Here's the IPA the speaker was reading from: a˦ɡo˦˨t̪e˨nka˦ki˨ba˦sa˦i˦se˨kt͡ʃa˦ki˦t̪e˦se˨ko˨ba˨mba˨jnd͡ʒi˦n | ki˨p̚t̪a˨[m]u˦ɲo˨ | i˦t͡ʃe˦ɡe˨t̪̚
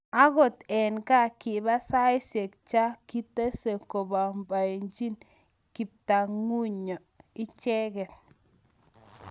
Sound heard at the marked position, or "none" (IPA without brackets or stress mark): ŋ